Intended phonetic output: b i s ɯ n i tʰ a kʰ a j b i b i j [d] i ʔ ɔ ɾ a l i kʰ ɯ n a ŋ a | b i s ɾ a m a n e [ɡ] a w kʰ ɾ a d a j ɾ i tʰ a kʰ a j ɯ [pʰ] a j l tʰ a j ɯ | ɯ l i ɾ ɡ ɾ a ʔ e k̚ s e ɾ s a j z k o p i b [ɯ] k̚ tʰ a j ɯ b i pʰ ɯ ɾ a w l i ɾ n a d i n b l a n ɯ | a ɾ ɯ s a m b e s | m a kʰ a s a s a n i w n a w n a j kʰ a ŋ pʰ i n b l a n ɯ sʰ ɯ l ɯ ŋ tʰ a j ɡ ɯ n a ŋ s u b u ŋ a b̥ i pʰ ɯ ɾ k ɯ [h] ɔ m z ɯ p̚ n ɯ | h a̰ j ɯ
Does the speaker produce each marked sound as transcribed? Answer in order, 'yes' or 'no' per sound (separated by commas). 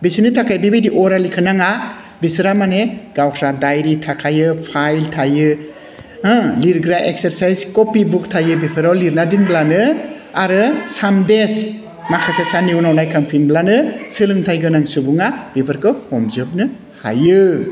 yes, yes, yes, no, yes